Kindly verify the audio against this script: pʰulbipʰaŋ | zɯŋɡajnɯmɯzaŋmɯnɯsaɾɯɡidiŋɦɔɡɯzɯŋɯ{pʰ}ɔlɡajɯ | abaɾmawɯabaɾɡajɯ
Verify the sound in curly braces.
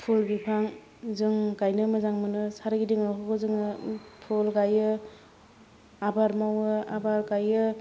correct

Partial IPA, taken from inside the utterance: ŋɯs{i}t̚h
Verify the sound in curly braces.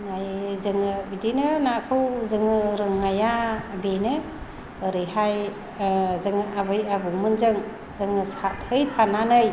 incorrect: a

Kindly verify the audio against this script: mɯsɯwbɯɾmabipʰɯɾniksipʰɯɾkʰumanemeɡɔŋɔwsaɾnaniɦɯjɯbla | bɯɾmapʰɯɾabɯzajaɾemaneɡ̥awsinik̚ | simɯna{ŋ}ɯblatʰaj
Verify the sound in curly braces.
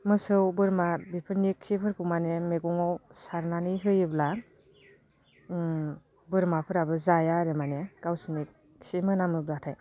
incorrect: m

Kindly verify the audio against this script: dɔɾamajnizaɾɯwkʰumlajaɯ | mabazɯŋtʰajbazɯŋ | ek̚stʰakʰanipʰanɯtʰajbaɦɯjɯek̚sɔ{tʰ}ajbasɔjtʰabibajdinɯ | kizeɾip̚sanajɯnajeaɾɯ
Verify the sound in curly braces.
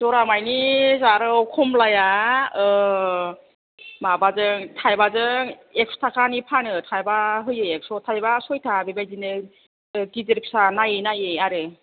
correct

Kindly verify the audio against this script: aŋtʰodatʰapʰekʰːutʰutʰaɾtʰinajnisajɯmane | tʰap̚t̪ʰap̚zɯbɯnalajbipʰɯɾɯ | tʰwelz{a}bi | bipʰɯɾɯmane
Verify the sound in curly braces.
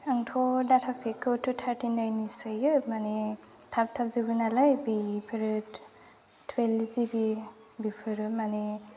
incorrect: i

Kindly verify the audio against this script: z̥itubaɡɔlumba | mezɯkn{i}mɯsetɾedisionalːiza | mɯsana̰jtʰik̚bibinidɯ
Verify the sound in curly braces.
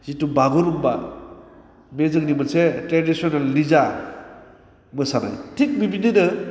correct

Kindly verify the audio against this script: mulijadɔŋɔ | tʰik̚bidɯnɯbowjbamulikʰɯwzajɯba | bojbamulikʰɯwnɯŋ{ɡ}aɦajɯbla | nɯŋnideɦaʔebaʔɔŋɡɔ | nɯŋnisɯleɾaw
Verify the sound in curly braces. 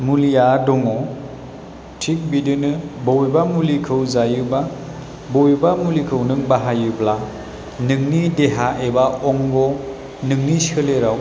incorrect: b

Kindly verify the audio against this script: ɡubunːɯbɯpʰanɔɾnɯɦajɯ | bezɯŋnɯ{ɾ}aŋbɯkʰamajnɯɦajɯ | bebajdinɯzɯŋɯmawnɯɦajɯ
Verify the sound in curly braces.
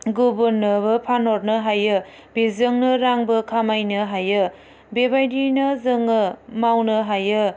correct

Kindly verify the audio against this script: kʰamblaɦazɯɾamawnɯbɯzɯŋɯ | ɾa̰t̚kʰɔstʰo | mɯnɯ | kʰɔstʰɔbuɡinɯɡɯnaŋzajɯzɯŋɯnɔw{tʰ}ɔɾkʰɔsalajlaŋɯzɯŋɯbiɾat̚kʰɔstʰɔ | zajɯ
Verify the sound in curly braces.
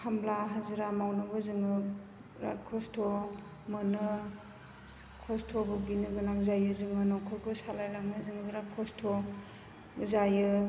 incorrect: kʰ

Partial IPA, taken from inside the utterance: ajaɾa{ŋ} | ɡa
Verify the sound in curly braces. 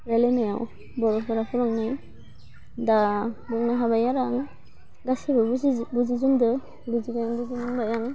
correct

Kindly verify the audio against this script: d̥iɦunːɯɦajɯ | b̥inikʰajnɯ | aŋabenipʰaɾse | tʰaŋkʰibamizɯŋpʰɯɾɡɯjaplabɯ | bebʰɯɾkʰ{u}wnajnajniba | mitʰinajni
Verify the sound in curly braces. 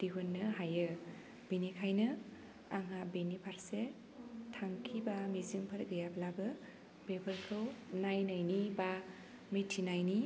incorrect: ɯ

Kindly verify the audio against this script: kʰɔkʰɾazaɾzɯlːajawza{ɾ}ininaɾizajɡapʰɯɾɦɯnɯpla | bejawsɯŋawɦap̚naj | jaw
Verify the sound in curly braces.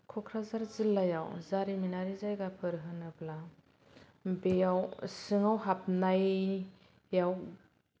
correct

